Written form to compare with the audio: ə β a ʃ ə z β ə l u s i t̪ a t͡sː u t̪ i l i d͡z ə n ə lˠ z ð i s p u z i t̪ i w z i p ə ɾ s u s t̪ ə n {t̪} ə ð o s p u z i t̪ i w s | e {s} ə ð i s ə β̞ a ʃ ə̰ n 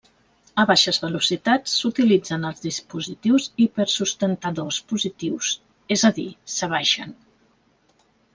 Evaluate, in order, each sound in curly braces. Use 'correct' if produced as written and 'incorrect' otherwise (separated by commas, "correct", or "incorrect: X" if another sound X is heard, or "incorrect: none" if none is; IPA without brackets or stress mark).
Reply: correct, incorrect: z